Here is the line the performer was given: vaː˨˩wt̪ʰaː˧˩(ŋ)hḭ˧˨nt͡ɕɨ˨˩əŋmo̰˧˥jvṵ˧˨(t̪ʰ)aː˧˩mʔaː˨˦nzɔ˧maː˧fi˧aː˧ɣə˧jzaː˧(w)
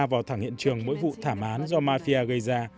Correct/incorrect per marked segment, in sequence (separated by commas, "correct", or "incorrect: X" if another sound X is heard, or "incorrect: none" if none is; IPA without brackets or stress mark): correct, correct, incorrect: none